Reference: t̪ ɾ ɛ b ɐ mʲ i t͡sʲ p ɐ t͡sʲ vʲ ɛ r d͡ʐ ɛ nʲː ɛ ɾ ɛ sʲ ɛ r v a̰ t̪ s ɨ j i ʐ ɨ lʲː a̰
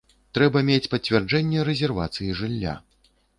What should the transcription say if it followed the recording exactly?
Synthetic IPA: t̪ ɾ ɛ b ɐ mʲ e t͡sʲ p ɐ t͡sʲ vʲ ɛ r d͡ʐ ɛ nʲː ɛ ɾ ɛ zʲ ɛ r v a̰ t̪ s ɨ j i ʐ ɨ lʲː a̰